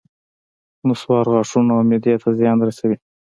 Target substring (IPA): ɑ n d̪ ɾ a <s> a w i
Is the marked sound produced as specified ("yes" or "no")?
yes